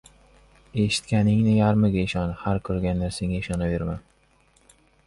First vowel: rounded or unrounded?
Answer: unrounded